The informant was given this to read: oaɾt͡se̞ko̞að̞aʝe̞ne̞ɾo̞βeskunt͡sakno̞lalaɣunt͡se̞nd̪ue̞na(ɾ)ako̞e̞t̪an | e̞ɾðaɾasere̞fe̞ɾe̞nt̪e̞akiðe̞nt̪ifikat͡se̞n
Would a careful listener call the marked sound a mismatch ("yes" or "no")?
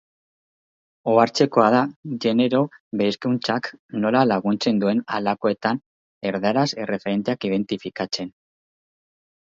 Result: yes